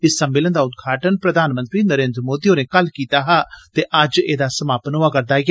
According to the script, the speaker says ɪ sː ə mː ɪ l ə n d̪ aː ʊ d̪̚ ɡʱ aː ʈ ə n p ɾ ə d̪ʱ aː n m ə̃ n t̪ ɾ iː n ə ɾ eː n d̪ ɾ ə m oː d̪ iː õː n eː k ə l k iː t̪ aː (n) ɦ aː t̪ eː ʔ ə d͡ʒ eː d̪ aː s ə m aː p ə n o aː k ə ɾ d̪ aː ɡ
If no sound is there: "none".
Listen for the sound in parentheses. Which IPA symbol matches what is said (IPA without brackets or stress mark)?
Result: none